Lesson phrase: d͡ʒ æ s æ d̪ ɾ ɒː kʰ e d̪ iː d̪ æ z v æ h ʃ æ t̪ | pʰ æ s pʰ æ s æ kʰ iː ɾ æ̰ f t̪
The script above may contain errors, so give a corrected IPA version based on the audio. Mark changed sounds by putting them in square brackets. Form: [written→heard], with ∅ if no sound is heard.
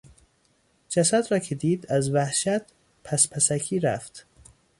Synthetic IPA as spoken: d͡ʒ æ s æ d̪ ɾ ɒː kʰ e d̪ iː d̪ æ z v æ h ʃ æ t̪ | pʰ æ s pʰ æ s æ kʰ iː ɾ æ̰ f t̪